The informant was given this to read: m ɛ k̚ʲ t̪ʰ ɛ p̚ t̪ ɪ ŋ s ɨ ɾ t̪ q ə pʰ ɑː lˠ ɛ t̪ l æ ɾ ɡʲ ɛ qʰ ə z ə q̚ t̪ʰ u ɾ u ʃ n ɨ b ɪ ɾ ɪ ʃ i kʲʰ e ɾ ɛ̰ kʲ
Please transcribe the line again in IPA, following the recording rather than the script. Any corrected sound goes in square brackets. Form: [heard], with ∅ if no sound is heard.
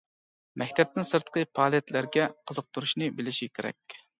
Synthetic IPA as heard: m ɛ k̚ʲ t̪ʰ ɛ p̚ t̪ ɪ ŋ s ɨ ɾ t̪ q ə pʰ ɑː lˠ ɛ t̪ l æ ɾ ɡʲ ɛ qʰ ə z ə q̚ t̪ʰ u ɾ u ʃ n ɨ b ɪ [l] ɪ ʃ i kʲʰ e ɾ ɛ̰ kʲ